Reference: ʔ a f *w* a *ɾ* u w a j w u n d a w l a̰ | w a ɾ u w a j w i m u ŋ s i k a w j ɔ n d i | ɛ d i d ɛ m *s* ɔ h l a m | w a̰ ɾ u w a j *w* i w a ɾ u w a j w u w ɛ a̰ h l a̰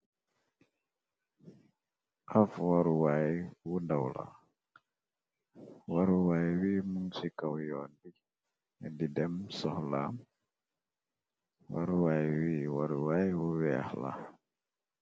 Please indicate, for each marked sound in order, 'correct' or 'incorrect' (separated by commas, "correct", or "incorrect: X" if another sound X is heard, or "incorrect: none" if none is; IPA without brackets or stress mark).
correct, correct, correct, correct